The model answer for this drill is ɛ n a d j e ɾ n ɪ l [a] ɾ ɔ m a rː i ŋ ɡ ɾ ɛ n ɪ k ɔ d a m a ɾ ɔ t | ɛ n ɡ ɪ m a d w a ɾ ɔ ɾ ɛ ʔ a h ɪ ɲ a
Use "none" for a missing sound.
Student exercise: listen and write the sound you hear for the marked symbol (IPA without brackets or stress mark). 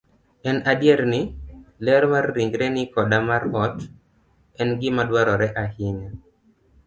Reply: ɛ